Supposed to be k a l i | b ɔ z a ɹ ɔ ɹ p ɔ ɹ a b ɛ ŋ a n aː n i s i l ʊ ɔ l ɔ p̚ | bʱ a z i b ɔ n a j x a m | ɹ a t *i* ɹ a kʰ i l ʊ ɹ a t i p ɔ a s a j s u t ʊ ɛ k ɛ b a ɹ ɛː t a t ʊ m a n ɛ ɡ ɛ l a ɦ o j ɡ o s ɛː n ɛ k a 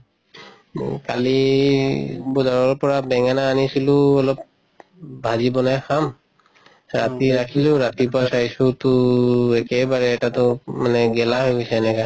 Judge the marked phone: correct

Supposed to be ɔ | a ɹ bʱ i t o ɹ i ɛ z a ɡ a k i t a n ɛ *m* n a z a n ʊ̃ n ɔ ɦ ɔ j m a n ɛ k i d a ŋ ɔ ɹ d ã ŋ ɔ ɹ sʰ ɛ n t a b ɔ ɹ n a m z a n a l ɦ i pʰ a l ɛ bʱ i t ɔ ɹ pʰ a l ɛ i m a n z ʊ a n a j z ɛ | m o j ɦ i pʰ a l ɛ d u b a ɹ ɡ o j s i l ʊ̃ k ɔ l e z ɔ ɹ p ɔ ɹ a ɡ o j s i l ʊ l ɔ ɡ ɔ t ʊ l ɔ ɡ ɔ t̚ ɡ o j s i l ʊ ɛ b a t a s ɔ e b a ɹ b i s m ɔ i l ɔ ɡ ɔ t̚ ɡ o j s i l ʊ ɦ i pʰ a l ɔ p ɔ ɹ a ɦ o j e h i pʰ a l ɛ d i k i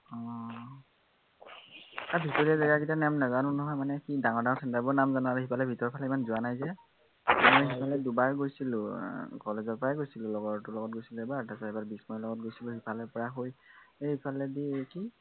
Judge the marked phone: correct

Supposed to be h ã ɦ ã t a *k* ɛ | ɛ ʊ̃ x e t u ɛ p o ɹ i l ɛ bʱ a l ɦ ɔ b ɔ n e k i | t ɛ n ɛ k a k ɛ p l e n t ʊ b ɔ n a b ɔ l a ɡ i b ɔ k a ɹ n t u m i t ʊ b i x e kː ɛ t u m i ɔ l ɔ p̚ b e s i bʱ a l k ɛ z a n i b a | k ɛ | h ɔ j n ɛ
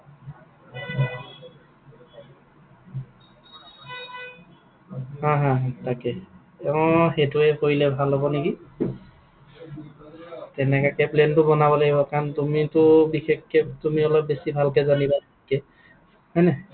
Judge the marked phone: correct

